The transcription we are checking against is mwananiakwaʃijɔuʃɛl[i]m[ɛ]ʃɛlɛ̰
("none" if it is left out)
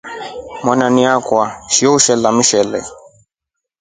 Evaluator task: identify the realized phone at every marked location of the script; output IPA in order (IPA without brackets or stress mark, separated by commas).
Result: a, i